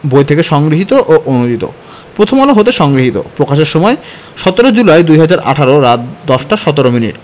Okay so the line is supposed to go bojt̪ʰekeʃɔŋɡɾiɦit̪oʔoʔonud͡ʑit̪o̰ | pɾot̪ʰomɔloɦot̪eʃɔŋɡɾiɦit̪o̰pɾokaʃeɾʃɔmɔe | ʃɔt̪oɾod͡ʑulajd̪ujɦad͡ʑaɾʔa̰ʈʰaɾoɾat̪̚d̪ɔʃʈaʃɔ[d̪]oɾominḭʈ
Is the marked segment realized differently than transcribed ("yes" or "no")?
yes